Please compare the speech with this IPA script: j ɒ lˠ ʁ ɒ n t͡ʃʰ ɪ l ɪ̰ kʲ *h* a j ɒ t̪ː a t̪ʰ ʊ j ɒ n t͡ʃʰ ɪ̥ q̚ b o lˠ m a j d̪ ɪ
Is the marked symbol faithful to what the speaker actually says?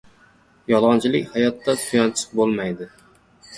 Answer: yes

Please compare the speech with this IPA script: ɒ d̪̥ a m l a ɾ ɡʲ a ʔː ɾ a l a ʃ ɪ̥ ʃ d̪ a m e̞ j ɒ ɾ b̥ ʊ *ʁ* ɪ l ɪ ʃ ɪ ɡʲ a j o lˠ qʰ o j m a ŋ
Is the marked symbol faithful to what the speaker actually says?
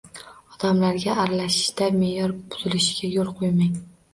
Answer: no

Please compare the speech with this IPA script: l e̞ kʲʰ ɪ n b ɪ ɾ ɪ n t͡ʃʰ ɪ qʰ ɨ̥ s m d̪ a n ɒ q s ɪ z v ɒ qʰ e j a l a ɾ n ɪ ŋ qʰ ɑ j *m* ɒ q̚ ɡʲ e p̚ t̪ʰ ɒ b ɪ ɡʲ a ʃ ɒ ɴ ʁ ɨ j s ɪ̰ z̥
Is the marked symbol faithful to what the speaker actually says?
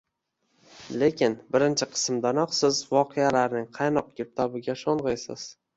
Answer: no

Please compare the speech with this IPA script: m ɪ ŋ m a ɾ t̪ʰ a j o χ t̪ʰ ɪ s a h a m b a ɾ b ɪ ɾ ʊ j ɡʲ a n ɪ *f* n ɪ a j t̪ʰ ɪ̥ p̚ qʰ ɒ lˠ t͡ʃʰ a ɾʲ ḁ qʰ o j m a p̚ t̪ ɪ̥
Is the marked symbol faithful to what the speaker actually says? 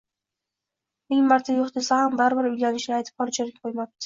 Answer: no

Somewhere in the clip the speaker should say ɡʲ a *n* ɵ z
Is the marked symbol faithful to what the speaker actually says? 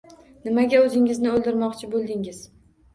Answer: no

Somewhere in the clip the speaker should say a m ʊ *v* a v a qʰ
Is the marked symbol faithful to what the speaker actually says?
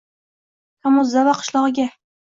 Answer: no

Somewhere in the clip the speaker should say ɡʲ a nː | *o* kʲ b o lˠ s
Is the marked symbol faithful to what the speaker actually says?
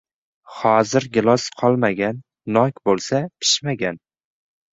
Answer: no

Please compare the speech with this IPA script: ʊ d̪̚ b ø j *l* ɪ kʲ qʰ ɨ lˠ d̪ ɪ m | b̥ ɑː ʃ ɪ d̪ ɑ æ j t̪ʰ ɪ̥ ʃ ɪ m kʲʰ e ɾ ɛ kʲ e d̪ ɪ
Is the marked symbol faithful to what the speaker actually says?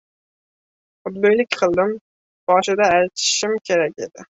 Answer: yes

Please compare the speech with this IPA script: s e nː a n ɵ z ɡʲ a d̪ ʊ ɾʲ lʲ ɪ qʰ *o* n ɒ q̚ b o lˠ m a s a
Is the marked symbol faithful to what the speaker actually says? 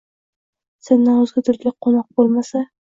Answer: yes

